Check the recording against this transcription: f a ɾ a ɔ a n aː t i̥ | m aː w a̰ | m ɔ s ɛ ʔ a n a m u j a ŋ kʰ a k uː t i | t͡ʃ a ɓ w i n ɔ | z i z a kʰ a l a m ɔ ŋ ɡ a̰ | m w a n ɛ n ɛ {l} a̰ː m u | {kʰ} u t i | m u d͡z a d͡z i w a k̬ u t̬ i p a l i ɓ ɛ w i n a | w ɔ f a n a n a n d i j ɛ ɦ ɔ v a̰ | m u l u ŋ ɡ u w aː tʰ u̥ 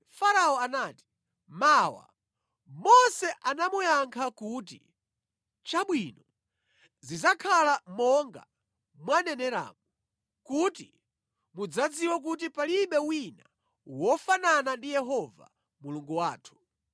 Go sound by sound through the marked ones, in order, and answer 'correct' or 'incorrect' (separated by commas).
incorrect, incorrect